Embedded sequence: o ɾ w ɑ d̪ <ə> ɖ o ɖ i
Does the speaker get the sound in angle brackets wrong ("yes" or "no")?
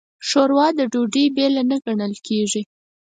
no